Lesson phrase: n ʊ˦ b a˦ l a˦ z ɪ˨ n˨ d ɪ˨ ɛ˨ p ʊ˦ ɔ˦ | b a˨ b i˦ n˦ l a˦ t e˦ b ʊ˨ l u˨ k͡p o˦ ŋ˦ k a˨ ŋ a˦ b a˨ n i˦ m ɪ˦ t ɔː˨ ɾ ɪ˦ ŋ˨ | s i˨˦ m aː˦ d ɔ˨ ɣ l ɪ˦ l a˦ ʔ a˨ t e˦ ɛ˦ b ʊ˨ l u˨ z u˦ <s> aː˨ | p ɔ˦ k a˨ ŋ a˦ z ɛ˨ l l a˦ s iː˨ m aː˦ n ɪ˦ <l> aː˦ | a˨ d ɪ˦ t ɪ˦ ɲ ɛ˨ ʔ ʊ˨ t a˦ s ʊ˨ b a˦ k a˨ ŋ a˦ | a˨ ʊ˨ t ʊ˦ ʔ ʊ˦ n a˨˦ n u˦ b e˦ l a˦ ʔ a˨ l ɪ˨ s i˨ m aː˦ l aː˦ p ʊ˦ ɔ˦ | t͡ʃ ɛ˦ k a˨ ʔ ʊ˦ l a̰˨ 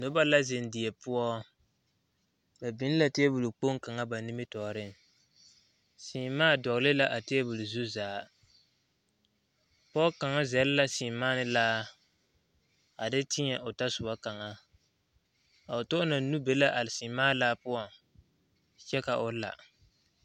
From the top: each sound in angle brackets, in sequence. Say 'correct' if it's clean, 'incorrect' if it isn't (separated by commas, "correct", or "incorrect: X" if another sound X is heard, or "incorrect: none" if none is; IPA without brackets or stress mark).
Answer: incorrect: z, correct